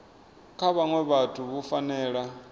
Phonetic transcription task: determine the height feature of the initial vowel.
low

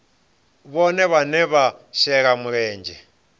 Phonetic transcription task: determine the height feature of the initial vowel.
mid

